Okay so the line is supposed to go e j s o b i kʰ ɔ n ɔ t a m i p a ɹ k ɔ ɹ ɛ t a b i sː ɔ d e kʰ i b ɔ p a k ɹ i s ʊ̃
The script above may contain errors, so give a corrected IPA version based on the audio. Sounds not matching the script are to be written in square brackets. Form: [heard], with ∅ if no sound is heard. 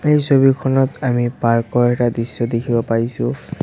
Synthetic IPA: e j s o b i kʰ ɔ n ɔ t a m i p a ɹ k ɔ ɹ ɛ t a [d] i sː ɔ d e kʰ i b ɔ p a [∅] ɹ i s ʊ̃